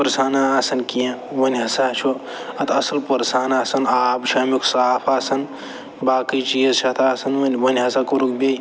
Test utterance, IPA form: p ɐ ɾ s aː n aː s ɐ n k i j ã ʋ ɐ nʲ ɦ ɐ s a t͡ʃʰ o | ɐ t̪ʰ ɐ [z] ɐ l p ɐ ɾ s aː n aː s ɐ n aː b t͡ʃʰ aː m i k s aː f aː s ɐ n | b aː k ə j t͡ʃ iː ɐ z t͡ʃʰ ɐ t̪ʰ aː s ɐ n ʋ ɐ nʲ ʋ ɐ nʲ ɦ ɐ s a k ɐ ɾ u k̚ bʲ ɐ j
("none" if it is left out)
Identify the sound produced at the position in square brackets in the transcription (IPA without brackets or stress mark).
s